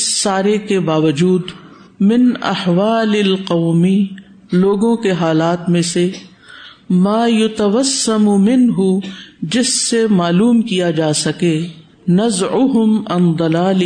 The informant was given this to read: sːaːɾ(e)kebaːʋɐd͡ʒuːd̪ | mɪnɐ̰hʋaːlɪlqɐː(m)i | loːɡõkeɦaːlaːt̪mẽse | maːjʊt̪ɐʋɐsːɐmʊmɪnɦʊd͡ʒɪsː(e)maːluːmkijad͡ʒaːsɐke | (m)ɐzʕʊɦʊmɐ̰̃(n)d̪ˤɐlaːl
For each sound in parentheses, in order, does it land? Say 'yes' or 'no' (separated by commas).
yes, yes, yes, no, yes